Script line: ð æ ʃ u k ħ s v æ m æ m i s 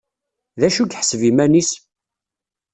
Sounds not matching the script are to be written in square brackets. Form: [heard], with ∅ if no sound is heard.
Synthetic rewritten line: ð æ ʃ u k ħ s v [i] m æ [n] i s